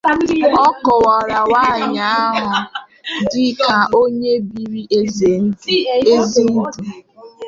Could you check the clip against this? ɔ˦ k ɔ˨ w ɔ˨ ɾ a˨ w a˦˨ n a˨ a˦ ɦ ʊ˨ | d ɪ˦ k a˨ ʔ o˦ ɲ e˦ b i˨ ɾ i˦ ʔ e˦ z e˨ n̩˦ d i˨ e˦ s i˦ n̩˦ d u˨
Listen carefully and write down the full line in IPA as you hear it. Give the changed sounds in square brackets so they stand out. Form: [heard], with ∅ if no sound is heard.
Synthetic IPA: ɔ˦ k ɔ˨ w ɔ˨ ɾ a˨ w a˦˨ [ɲ] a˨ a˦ ɦ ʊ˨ | d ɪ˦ k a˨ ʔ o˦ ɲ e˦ b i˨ ɾ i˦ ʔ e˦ z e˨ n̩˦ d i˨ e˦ [z] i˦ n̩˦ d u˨